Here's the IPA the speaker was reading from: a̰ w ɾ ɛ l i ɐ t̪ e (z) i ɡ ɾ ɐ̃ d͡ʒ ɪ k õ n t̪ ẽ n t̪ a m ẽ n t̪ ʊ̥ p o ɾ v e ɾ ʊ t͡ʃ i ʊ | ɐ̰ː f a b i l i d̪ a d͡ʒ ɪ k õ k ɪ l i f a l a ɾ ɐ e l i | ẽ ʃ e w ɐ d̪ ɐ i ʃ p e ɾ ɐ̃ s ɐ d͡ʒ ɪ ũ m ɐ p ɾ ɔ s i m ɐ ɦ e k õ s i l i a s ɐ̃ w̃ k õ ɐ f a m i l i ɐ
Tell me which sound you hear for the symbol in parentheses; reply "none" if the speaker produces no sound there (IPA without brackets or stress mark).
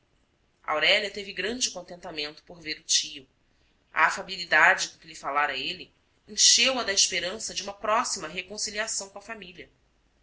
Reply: v